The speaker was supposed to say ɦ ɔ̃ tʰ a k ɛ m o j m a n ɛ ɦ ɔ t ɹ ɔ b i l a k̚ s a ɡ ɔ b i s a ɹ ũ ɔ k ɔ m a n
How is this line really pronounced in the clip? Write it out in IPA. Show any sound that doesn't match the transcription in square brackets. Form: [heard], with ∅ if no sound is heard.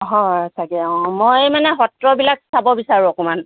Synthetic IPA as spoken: ɦ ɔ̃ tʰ a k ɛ m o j m a n ɛ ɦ ɔ t ɹ ɔ b i l a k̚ s a [b] ɔ b i s a ɹ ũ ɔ k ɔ m a n